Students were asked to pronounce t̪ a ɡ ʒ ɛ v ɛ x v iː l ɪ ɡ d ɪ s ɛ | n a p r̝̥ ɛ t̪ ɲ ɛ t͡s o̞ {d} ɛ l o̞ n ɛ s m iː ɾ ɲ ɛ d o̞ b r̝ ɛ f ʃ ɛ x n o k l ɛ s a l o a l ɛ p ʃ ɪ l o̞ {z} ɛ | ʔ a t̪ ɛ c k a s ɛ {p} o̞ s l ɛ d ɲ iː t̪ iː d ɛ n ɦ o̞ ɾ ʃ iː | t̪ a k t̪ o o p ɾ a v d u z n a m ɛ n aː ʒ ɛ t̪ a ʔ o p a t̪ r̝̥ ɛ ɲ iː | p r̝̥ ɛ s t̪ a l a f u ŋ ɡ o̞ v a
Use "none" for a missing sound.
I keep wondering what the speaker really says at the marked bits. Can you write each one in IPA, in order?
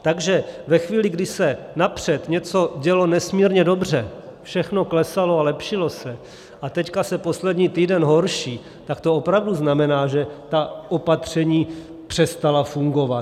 ɟ, s, p

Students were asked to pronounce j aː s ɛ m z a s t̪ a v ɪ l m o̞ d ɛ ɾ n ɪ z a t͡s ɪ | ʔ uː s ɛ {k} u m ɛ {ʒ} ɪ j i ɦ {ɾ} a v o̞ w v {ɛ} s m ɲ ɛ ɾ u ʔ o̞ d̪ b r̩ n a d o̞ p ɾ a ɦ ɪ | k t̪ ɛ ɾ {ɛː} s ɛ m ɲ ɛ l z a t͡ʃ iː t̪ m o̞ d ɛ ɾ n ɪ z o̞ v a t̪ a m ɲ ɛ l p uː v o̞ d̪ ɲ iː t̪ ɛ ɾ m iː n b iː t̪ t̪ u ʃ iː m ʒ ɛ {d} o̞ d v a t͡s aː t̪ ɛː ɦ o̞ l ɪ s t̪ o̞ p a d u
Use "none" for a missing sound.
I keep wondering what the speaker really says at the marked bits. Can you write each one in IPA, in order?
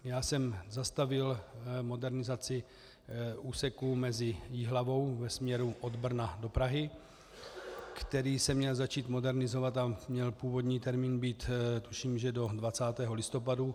k, z, l, ɛ, iː, d

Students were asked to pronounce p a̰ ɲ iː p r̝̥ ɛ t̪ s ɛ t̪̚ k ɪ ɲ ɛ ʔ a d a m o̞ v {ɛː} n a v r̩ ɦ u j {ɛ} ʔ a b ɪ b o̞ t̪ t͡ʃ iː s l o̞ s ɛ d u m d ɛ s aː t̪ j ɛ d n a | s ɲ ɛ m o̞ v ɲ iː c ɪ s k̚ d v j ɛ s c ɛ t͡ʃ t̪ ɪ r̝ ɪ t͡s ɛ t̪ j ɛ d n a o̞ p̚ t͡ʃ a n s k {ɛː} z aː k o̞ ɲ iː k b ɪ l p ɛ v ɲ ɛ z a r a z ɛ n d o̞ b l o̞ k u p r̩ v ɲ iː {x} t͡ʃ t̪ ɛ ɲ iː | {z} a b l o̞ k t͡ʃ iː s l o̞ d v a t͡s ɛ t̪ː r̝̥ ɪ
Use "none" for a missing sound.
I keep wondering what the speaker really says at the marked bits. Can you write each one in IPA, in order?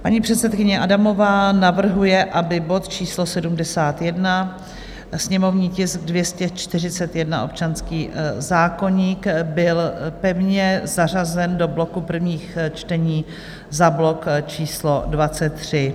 aː, ɛ, iː, x, z

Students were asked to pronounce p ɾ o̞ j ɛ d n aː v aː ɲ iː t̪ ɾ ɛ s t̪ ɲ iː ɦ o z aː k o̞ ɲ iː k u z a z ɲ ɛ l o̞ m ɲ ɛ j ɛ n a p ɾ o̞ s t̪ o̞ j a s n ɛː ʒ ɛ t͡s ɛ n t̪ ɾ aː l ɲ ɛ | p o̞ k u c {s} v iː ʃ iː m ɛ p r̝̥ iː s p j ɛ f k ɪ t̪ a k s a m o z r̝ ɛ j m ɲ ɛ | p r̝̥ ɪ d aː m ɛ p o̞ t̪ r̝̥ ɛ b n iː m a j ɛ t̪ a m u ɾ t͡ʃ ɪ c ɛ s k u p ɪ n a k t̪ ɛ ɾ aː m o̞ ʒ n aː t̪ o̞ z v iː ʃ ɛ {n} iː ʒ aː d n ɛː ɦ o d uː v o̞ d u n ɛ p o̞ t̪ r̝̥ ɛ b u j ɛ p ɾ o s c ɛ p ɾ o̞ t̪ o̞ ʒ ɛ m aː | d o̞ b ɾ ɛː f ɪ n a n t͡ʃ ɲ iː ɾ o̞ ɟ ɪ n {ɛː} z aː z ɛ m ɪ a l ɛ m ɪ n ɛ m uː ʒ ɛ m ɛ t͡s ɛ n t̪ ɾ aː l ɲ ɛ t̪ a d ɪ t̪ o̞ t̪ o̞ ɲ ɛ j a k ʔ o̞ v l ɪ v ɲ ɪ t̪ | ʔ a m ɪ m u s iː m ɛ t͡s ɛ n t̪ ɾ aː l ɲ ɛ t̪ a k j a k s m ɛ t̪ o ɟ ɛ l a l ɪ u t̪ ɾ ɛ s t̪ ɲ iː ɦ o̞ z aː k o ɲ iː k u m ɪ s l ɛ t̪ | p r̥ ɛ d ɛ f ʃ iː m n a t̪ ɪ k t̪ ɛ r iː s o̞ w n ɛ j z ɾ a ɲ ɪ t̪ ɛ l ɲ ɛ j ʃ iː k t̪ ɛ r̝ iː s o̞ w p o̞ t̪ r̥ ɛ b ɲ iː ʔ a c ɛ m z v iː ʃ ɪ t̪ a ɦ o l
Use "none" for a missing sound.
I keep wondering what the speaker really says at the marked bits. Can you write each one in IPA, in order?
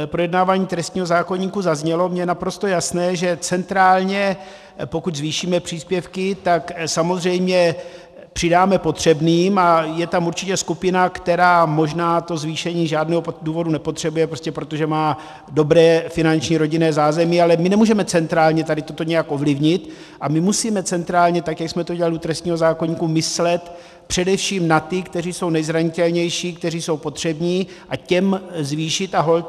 z, ɲ, ɛː

